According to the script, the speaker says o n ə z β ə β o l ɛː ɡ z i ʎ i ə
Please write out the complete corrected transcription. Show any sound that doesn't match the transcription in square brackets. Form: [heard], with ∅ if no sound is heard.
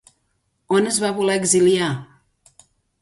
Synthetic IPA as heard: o n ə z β [a] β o l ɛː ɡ z i [l] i [a]